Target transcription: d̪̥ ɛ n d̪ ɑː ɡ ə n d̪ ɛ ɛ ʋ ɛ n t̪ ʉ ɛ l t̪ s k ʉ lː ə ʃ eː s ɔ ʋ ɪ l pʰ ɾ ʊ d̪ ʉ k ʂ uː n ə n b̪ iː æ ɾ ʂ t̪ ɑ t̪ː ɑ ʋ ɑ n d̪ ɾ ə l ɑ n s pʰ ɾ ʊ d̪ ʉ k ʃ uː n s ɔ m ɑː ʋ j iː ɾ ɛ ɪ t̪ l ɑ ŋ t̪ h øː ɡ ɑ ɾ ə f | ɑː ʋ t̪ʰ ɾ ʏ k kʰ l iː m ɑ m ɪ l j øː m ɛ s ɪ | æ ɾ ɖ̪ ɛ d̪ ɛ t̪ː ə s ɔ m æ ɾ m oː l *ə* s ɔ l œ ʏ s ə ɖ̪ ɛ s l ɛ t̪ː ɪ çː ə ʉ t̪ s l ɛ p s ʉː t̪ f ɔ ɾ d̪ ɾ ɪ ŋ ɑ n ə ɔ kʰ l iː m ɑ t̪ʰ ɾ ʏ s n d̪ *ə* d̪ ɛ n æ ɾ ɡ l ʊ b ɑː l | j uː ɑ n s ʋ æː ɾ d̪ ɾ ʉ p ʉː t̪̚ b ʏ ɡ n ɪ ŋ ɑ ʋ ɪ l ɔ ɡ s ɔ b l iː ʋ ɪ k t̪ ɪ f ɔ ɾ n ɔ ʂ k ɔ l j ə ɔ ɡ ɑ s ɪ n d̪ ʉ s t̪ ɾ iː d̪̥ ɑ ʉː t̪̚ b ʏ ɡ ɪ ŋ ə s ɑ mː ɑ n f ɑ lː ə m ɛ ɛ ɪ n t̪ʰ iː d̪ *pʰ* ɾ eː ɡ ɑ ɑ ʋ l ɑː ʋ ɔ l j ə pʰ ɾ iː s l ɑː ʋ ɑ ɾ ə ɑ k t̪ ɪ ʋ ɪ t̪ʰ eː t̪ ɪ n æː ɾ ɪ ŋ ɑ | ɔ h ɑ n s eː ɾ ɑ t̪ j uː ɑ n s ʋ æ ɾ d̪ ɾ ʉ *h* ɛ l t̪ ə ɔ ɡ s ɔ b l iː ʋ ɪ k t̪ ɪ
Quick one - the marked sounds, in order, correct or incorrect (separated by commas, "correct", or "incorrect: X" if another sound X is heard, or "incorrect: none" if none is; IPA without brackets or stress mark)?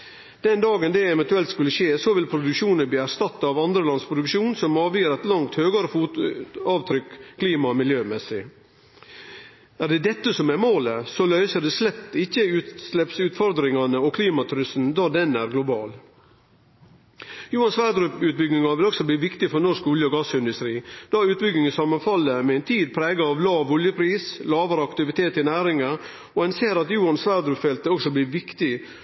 correct, incorrect: ɑ, correct, incorrect: f